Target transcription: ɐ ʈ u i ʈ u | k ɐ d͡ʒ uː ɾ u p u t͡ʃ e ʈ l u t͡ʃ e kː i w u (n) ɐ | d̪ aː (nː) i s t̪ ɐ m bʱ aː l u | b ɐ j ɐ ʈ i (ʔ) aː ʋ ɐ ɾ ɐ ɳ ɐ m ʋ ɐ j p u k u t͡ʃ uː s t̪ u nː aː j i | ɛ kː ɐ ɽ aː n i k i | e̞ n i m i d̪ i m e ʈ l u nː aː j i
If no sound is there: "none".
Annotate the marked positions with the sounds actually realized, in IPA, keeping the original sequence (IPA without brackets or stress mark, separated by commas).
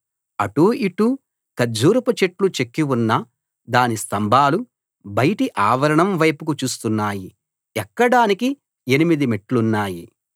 nː, n, ʔ